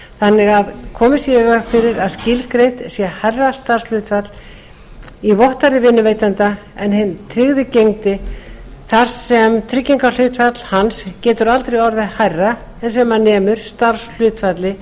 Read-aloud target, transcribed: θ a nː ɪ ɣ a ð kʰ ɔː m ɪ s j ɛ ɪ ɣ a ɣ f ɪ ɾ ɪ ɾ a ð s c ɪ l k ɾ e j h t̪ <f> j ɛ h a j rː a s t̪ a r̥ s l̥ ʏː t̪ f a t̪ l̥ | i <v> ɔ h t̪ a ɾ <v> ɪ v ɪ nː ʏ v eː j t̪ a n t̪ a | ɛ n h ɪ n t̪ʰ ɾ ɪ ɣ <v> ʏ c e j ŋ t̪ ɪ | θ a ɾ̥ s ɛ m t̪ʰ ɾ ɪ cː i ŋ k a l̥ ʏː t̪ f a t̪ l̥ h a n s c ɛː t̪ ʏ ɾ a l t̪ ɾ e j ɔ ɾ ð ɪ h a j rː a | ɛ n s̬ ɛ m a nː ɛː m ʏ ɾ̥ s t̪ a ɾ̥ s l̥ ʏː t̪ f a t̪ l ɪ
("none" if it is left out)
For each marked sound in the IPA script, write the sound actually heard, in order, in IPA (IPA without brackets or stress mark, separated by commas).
s, v, ð, ð